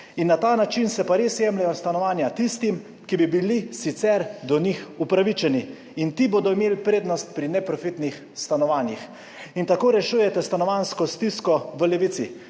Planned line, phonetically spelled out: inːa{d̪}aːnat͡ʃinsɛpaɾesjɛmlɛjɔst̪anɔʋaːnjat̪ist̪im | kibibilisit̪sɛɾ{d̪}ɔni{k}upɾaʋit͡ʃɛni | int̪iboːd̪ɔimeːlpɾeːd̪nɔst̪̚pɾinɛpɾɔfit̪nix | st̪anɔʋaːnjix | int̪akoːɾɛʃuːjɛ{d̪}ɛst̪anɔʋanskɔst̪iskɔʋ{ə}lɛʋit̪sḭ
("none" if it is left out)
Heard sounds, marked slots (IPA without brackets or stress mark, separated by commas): t̪, d̪, x, t̪, ə